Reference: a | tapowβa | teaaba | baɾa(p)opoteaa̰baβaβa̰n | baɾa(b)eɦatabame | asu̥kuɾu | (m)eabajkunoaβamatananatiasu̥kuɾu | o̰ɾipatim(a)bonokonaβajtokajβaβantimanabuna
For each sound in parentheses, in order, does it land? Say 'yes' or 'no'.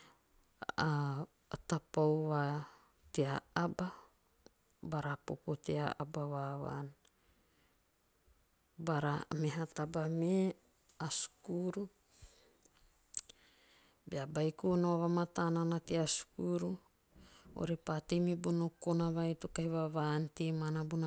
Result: yes, no, no, no

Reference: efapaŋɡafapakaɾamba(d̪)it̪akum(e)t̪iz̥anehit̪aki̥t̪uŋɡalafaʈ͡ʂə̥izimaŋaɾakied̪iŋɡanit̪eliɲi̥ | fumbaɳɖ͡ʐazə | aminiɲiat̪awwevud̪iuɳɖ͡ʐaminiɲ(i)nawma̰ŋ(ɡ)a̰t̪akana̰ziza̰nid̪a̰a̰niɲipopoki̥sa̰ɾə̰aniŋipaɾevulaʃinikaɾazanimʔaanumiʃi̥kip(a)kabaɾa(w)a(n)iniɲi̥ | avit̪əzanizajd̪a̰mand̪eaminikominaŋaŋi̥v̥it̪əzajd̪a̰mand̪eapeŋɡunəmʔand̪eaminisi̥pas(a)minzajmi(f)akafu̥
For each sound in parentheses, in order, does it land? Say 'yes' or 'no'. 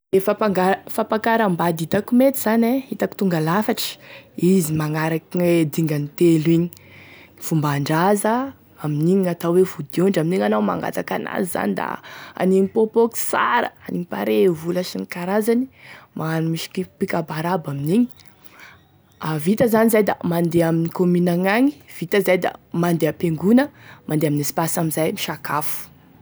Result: yes, yes, no, yes, no, no, no, yes, no

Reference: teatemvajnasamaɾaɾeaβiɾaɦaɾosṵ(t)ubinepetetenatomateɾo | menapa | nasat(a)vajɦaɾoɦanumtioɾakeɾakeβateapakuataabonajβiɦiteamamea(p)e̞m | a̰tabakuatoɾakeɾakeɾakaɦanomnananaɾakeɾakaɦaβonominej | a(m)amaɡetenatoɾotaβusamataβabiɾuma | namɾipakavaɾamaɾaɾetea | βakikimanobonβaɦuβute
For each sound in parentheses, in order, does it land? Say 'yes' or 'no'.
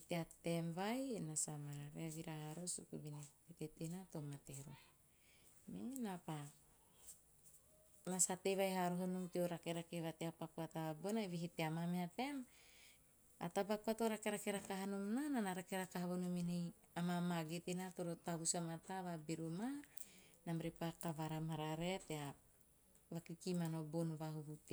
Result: no, no, no, yes

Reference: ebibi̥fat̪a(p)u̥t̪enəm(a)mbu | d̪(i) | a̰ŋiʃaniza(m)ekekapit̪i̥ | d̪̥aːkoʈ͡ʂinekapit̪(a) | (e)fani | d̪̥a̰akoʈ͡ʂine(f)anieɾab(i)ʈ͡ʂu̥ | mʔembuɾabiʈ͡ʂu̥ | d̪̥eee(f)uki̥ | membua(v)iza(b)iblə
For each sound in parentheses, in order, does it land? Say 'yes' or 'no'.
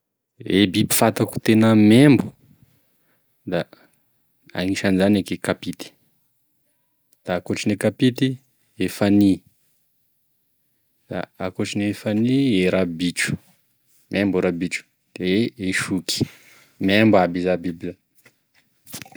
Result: no, no, no, no, no, yes, yes, yes, no, no, yes

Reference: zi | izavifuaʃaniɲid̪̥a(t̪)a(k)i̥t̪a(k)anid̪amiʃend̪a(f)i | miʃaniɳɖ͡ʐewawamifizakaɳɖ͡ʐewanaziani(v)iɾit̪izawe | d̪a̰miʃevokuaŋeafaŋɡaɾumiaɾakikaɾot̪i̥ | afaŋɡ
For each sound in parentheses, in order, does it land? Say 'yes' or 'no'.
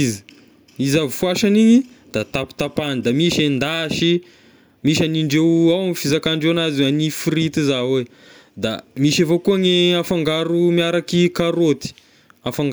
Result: yes, no, no, no, no

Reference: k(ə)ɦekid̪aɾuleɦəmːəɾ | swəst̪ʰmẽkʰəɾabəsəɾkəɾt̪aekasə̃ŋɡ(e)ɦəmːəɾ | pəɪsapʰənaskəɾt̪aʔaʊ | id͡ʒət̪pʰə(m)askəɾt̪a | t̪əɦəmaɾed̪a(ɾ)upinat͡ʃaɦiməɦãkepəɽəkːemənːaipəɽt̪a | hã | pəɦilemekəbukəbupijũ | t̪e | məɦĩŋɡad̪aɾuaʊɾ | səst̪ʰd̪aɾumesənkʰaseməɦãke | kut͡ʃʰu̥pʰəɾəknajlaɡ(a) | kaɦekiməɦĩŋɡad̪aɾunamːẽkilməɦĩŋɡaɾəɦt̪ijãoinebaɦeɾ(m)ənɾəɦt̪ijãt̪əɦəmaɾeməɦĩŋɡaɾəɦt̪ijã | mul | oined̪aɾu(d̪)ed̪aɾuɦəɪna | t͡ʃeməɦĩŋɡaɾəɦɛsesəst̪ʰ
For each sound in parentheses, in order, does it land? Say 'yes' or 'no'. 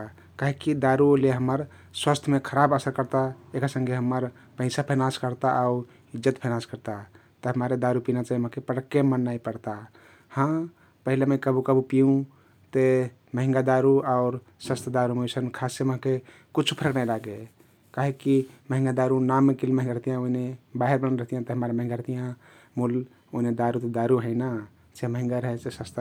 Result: no, yes, no, yes, no, no, no

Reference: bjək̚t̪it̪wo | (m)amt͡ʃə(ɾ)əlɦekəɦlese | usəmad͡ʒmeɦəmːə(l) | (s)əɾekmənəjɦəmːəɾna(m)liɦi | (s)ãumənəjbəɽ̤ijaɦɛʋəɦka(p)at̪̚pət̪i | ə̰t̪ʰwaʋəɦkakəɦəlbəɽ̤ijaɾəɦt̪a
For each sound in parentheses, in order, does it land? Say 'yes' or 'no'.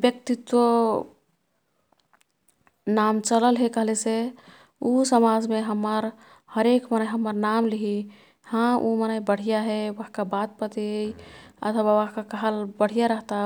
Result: no, no, no, no, yes, no, no

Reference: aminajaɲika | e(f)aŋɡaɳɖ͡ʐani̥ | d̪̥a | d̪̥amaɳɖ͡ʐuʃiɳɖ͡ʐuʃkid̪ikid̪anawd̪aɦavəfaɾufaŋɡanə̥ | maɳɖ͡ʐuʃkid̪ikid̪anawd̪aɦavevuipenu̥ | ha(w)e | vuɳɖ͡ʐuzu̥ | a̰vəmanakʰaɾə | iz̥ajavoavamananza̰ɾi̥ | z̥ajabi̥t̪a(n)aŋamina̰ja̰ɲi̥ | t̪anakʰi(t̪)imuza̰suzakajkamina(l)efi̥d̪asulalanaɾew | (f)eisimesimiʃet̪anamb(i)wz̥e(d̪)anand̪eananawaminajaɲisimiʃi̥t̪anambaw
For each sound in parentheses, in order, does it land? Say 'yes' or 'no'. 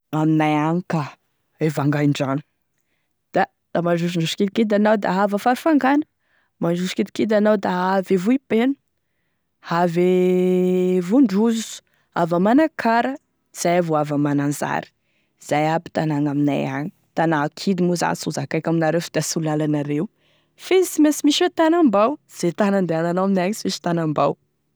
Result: no, no, yes, no, no, yes, no, no

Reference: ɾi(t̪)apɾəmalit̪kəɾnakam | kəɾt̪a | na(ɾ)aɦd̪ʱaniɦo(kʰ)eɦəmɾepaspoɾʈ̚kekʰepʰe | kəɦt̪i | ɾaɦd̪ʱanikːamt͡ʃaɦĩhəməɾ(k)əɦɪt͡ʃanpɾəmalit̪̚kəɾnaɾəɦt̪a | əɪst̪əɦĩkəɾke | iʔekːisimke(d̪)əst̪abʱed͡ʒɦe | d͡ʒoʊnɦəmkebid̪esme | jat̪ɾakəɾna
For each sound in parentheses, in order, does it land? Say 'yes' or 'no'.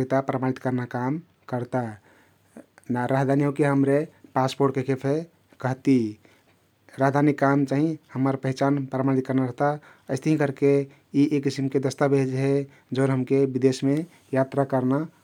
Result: yes, yes, no, no, yes

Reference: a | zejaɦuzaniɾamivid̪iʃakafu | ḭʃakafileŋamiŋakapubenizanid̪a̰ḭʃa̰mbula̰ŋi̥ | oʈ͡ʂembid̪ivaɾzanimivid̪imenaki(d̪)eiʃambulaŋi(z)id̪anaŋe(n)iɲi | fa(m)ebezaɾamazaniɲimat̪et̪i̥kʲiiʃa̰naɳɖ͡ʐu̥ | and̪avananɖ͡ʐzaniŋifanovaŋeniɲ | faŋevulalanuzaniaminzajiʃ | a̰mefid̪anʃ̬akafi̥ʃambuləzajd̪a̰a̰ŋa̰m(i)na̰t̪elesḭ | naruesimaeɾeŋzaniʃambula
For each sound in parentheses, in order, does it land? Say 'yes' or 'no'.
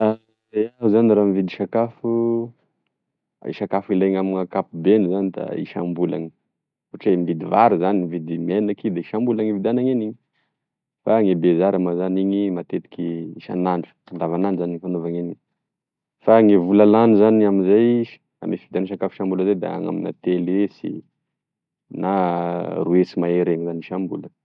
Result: yes, no, yes, no, yes

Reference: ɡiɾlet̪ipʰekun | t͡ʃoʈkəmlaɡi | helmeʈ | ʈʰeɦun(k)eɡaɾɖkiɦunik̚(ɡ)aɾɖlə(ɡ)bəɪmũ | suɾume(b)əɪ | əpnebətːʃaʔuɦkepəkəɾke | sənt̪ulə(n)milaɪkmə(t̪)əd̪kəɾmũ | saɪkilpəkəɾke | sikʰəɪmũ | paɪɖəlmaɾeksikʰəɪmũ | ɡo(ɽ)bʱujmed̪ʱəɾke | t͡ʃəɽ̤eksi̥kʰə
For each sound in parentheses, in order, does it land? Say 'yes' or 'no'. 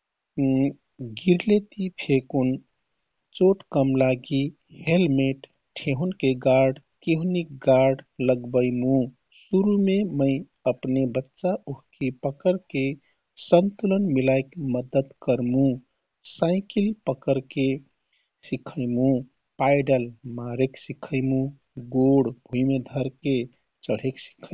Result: yes, yes, yes, no, yes, no, yes

